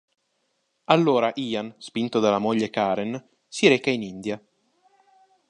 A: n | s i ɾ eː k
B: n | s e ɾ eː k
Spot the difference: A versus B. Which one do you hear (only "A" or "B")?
A